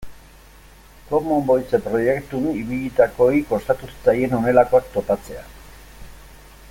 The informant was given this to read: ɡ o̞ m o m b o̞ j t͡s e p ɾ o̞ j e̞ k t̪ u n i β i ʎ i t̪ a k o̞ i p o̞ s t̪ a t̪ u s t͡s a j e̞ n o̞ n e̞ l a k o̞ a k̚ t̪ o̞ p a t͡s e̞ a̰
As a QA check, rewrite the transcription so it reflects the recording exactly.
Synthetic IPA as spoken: k o̞ m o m b o̞ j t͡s e p ɾ o̞ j e̞ k t̪ u n i β i ʎ i t̪ a k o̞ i k o̞ s t̪ a t̪ u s t͡s a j e̞ n o̞ n e̞ l a k o̞ a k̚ t̪ o̞ p a t͡s e̞ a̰